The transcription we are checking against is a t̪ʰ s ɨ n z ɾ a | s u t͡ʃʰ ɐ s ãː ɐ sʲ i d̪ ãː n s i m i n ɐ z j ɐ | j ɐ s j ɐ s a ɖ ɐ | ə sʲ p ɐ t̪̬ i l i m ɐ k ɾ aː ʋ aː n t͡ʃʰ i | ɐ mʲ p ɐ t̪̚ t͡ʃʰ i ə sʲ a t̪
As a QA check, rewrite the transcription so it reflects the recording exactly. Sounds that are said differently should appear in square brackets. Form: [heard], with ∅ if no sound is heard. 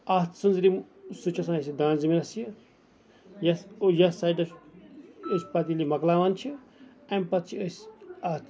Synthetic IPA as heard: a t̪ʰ s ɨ n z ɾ [i] | s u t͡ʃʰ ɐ s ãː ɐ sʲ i d̪ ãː n [z] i m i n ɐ [s] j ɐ | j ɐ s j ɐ s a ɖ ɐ | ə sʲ p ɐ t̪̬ i l i m ɐ k [l] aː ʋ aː n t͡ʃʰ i | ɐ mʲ p ɐ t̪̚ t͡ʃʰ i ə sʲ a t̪